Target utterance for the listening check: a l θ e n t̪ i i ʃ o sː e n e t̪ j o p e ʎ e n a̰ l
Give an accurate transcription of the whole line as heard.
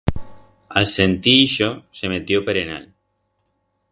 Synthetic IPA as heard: a l s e n t̪ i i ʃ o s e m e t̪ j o p e ɾ e n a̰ l